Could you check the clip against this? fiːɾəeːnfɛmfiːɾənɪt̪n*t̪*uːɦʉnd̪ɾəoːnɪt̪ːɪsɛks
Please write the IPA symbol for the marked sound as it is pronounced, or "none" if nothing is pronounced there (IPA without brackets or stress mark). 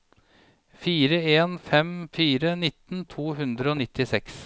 t̪ʰ